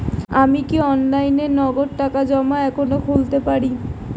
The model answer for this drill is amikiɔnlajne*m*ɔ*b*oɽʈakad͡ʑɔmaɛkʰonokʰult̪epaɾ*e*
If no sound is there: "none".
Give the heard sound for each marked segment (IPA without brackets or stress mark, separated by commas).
n, ɡ, i